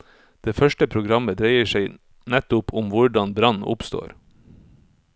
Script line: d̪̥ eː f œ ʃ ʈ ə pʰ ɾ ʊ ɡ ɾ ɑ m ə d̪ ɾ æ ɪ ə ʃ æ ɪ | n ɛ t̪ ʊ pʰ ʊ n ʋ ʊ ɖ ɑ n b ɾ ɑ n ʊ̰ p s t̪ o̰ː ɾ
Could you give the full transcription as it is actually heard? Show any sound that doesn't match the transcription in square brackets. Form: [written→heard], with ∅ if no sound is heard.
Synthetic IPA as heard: d̪̥ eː f œ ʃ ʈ ə pʰ ɾ ʊ ɡ ɾ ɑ m ə d̪ ɾ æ ɪ ə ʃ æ ɪ | n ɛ t̪ ʊ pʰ ʊ [n→m] ʋ ʊ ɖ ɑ n b ɾ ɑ n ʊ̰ p s t̪ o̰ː ɾ